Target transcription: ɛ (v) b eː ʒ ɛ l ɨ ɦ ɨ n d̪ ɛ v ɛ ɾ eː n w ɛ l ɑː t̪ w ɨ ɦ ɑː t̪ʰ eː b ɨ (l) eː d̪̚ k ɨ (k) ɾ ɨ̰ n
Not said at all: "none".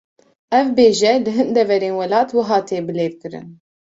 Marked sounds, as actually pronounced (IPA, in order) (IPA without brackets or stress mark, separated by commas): v, l, none